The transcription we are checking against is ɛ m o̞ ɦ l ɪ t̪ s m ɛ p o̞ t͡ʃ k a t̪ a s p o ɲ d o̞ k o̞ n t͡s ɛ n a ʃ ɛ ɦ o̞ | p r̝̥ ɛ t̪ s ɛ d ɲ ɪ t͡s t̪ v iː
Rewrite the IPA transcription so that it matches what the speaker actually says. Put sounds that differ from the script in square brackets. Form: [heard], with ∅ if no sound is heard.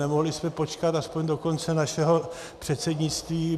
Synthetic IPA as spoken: ɛ m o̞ ɦ l ɪ [∅] s m ɛ p o̞ t͡ʃ k a t̪ a s p o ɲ d o̞ k o̞ n t͡s ɛ n a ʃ ɛ ɦ o̞ | p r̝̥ ɛ t̪ s ɛ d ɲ ɪ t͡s t̪ v iː